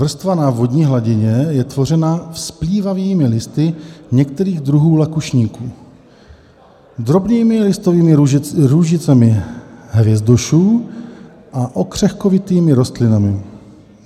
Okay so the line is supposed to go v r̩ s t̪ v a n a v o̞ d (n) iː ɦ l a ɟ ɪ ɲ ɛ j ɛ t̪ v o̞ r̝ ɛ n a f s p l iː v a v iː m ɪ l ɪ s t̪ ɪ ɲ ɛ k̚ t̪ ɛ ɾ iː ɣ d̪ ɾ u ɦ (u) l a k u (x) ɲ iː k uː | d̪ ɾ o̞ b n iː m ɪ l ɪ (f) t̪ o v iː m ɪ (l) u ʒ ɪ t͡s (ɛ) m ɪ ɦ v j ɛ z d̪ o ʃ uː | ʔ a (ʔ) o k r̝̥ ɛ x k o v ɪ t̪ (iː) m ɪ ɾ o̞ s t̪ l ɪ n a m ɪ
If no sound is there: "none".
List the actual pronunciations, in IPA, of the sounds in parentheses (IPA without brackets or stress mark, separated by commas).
ɲ, uː, ʃ, s, ɾ, ɛ, ʔ, iː